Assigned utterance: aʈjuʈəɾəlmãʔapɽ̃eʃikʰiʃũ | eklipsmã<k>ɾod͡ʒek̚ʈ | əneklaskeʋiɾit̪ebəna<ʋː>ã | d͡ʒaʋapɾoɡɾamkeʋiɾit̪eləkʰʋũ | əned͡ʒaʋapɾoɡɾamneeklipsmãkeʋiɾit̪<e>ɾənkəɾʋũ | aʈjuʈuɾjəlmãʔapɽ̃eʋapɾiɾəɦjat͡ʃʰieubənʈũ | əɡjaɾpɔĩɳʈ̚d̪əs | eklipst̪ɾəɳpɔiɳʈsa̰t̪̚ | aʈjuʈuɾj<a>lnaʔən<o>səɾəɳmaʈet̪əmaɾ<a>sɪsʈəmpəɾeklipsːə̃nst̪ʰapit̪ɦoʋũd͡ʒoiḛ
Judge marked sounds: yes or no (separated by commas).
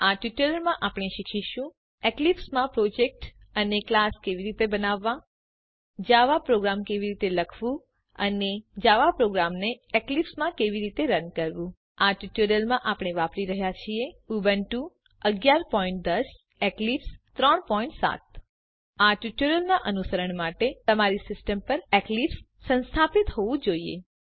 no, yes, yes, no, no, no